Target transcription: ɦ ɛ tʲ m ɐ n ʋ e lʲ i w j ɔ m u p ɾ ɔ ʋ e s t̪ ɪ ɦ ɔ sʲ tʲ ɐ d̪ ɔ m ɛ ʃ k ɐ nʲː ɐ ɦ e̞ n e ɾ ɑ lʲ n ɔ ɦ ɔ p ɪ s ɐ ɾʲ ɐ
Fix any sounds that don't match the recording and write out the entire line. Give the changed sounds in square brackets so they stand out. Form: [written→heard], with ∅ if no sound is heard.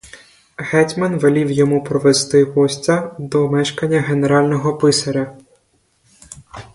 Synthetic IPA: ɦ ɛ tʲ m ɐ n ʋ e lʲ i w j ɔ m u p ɾ ɔ ʋ e s t̪ ɪ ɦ ɔ sʲ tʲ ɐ d̪ ɔ m ɛ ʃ k ɐ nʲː ɐ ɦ e̞ n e ɾ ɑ lʲ n ɔ ɦ ɔ p ɪ s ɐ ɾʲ ɐ

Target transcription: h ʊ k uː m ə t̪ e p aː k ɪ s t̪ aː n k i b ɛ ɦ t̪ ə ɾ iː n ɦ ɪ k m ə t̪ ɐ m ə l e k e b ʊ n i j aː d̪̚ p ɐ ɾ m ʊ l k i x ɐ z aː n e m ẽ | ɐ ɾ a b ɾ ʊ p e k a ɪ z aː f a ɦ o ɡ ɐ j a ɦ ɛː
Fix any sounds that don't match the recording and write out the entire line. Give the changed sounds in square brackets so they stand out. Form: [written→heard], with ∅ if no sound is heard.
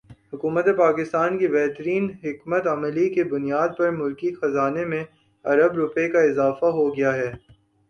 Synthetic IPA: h ʊ k uː m ə t̪ e p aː k ɪ s t̪ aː n k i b ɛ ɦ t̪ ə ɾ iː n ɦ ɪ k m ə t̪ ɐ m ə l [e→i] k e b ʊ n i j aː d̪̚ p ɐ ɾ m ʊ l k i x ɐ z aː n e m ẽ | ɐ ɾ [a→ə] b ɾ ʊ p e k a ɪ z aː f a ɦ o ɡ ɐ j a ɦ ɛː

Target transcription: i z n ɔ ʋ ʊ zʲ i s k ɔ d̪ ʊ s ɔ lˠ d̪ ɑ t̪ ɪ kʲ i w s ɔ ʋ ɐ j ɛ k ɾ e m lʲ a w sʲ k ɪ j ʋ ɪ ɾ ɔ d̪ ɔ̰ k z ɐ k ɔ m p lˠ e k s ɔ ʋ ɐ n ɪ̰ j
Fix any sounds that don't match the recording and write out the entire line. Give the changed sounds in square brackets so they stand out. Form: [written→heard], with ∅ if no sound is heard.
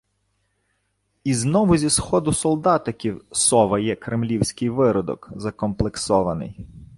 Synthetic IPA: i z n ɔ ʋ ʊ zʲ i s [k→x] ɔ d̪ ʊ s ɔ lˠ d̪ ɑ t̪ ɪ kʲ i w s ɔ ʋ ɐ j ɛ k ɾ e m lʲ [a→i] w sʲ k ɪ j ʋ ɪ ɾ ɔ d̪ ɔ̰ k z ɐ k ɔ m p lˠ e k s ɔ ʋ ɐ n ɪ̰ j

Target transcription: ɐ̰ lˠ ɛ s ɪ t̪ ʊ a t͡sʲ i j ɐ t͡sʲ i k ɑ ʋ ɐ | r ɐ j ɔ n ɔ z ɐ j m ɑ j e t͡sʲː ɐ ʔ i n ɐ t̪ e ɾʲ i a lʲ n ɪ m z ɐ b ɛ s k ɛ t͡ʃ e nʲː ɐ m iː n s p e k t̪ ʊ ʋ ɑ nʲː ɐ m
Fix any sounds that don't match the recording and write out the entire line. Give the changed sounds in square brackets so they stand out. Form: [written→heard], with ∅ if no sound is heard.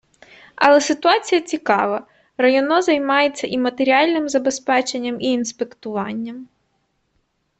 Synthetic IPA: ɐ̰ lˠ ɛ s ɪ t̪ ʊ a t͡sʲ i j ɐ t͡sʲ i k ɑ ʋ ɐ | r ɐ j ɔ n ɔ z ɐ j m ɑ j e t͡sʲː ɐ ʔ i [n→m] ɐ t̪ e ɾʲ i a lʲ n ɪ m z ɐ b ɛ s [k→p] ɛ t͡ʃ e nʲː ɐ m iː n s p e k t̪ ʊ ʋ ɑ nʲː ɐ m

